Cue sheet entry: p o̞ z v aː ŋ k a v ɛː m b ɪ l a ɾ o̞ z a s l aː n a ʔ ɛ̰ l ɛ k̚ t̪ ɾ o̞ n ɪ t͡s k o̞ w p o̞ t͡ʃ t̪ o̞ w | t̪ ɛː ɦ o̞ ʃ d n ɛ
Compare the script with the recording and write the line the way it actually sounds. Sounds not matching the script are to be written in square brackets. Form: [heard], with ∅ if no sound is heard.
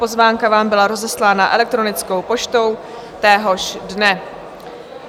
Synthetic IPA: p o̞ z v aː ŋ k a v [aː] m b ɪ l a ɾ o̞ z [ɛ] s l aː n a ʔ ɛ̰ l ɛ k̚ t̪ ɾ o̞ n ɪ t͡s k o̞ w p o̞ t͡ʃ t̪ o̞ w | t̪ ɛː ɦ o̞ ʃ d n ɛ